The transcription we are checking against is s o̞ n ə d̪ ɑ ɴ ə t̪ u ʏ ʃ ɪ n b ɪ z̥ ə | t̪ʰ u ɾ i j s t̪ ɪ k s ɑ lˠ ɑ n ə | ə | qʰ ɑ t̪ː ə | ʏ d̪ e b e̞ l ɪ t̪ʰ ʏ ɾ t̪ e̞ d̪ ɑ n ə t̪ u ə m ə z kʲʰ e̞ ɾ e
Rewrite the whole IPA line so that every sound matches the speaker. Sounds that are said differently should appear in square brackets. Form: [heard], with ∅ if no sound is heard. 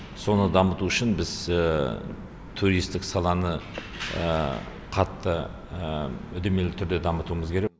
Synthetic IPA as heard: s o̞ n ə d̪ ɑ [m] ə t̪ u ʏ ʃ ɪ n b ɪ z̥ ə | t̪ʰ u ɾ i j s t̪ ɪ k s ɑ lˠ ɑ n ə | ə | qʰ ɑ t̪ː ə | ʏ d̪ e [m] e̞ l ɪ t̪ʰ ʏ ɾ [d̪] e̞ d̪ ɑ [m] ə t̪ u ə m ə z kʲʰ e̞ ɾ e